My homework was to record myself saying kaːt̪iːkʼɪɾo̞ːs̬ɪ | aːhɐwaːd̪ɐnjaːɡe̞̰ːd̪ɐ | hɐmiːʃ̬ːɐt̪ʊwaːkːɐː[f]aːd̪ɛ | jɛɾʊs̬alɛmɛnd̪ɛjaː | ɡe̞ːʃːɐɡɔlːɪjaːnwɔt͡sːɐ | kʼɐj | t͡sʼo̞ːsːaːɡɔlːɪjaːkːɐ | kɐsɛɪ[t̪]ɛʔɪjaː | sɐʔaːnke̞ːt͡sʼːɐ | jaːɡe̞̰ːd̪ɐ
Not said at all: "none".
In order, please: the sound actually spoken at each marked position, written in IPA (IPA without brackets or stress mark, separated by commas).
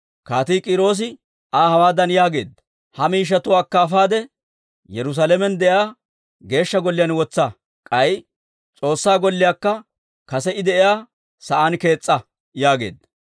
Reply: f, d̪